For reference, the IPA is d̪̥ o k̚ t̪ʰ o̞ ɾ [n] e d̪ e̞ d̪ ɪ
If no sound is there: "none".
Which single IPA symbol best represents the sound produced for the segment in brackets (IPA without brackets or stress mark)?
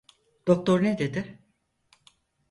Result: n